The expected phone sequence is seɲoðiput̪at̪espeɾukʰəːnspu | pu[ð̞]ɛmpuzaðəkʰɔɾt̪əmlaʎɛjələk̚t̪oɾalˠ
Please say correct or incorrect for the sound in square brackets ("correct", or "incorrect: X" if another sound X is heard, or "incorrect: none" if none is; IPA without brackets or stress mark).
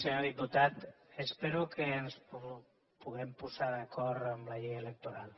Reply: incorrect: ɣ̞